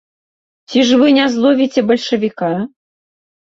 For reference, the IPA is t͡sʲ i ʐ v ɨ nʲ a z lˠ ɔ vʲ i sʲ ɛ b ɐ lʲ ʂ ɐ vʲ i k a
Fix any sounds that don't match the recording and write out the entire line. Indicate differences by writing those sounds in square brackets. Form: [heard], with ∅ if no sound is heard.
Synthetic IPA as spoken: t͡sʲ i ʐ v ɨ nʲ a z lˠ ɔ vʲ i [t͡sʲ] ɛ b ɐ lʲ ʂ ɐ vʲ i k a